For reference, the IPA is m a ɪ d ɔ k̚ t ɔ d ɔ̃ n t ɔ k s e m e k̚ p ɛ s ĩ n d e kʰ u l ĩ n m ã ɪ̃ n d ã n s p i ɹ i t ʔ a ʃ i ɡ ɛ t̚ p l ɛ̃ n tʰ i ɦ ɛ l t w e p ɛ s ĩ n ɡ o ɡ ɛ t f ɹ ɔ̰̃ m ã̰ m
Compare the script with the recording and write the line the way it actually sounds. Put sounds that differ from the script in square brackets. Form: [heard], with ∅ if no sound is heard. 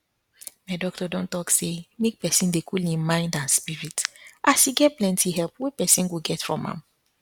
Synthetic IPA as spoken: m a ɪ d ɔ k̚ t ɔ d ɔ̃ n t ɔ k s e m e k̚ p ɛ s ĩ n d e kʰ u l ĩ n m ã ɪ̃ n d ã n s p i ɹ i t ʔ a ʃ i ɡ ɛ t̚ p l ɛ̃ n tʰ i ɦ ɛ l [p] w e p ɛ s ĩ n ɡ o ɡ ɛ t f ɹ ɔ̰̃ m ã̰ m